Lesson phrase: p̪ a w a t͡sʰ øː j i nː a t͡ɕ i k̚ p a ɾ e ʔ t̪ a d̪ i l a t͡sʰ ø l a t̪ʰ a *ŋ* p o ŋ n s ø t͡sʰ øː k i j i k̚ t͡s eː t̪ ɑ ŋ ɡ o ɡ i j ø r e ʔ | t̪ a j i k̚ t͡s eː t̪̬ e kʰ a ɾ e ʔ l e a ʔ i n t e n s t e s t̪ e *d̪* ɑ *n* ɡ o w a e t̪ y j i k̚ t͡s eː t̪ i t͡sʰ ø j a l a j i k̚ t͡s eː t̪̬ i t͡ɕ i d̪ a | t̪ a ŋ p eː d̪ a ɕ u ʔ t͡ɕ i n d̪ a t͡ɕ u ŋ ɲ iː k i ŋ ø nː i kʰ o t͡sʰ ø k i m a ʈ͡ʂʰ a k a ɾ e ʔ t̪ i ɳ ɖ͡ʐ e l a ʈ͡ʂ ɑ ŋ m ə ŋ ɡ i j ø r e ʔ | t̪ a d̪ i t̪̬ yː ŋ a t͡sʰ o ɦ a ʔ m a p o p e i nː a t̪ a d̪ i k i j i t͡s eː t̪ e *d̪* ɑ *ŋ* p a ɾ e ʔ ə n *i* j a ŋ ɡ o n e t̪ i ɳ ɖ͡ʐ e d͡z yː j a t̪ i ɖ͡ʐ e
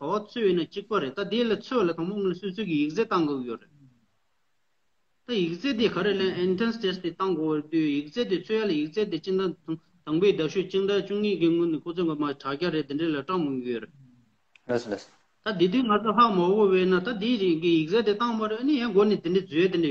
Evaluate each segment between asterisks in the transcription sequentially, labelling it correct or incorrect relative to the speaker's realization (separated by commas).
correct, incorrect, incorrect, incorrect, correct, correct